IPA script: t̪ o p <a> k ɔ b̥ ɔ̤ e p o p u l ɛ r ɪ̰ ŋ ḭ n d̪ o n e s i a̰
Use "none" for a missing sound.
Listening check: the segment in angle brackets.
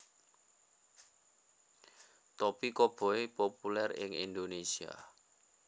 i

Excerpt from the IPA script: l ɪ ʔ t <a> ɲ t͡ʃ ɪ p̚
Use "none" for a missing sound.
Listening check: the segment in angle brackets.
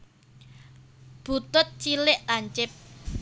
a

